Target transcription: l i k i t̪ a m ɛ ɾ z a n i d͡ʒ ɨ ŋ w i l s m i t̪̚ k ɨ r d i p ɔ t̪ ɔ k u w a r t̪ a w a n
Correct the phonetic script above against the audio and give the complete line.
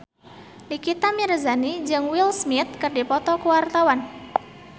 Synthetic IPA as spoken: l i k i t̪ a m i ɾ z a n i d͡ʒ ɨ ŋ w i l s m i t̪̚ k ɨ r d i p ɔ t̪ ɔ k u w a r t̪ a w a n